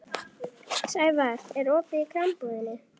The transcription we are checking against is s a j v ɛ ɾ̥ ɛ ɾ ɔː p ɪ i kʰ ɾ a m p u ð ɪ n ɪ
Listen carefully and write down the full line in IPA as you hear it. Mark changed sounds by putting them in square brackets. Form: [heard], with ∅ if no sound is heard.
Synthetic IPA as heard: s a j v [a] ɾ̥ ɛ ɾ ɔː p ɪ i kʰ ɾ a m p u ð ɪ n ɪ